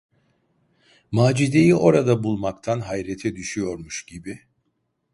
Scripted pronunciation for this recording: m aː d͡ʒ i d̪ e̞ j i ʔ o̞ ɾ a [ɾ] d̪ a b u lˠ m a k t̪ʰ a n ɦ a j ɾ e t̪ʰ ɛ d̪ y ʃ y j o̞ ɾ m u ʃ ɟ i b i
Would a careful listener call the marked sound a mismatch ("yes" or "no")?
yes